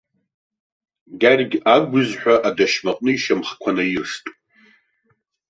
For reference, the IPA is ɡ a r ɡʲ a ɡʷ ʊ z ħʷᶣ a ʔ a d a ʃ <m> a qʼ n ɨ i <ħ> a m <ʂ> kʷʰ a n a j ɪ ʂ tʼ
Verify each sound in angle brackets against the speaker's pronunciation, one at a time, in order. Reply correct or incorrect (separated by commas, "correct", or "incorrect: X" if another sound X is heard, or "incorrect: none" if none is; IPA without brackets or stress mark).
correct, incorrect: ʃ, incorrect: χ